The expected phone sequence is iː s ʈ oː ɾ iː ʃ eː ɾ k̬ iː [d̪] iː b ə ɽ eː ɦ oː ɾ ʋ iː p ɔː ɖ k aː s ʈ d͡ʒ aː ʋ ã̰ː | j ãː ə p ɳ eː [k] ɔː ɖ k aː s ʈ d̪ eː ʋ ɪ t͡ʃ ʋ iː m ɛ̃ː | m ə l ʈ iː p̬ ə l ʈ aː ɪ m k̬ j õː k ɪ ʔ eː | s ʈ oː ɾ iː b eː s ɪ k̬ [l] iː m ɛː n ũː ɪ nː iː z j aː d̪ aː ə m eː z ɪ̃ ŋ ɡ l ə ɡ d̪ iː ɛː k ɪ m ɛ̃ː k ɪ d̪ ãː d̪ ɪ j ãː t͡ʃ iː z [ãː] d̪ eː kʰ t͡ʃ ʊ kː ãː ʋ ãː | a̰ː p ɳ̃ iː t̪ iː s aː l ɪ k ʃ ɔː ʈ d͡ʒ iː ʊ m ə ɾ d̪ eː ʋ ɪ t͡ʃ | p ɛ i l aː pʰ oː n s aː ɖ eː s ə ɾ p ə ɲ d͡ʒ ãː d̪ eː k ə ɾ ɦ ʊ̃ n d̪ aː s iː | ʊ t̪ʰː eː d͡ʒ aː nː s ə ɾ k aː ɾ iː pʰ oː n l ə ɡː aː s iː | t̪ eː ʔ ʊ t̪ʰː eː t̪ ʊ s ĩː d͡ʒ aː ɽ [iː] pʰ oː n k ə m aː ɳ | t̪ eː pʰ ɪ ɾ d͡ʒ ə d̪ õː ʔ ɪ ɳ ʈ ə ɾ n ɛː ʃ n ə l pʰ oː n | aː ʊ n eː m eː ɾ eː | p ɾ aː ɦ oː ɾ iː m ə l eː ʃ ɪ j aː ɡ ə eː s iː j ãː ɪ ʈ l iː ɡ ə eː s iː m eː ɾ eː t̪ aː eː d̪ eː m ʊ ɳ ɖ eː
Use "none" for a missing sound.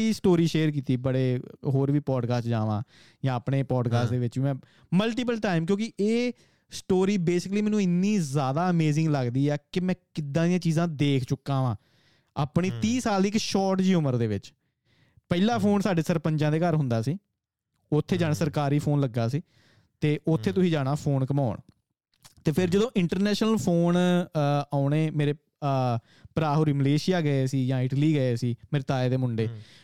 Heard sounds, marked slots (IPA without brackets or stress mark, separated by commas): t̪, p, l, ãː, aː